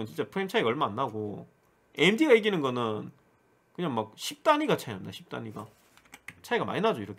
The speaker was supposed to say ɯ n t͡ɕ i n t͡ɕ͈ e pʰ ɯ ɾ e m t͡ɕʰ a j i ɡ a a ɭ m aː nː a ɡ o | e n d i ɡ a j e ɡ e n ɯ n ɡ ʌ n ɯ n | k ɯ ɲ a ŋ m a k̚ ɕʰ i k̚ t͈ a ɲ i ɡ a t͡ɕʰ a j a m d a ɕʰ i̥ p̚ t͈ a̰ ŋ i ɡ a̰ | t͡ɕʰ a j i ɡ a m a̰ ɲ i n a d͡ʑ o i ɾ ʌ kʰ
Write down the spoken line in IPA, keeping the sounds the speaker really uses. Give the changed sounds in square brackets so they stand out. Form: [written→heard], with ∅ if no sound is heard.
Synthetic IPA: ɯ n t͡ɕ i n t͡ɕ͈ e pʰ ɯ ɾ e m t͡ɕʰ a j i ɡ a [a→ʌ] ɭ m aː nː a ɡ o | e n d i ɡ a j e ɡ [e→i] n ɯ n ɡ ʌ n ɯ n | k ɯ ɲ a ŋ m a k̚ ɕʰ i [k̚→p̚] t͈ a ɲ i ɡ a t͡ɕʰ a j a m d a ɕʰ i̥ p̚ t͈ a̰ [ŋ→ɲ] i ɡ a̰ | t͡ɕʰ a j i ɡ a m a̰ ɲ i n a d͡ʑ o i ɾ ʌ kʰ